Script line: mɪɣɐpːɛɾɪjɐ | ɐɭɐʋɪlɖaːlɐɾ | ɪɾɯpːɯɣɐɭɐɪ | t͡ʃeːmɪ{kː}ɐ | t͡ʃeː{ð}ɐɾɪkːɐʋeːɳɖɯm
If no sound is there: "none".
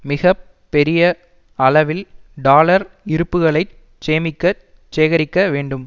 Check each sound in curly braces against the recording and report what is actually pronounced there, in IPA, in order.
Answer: kː, ɣ

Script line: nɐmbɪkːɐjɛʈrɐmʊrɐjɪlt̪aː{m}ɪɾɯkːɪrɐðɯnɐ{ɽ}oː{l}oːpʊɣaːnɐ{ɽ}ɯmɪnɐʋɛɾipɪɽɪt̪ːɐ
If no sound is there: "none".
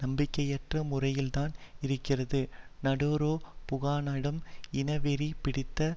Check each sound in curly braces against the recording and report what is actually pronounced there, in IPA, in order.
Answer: n, ɽ, ɾ, ɽ

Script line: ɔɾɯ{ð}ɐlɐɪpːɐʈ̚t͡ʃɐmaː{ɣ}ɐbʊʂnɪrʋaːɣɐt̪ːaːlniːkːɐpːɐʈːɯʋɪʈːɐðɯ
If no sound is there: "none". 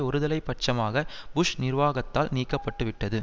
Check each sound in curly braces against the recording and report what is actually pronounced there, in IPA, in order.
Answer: ð, ɣ

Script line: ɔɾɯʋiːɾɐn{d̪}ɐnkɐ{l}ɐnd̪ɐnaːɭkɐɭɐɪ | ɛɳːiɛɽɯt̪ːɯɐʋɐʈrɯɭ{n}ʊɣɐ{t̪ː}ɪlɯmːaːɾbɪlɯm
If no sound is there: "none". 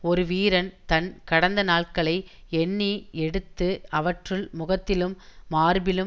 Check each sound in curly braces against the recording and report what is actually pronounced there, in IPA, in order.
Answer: t̪, ɽ, m, t̪ː

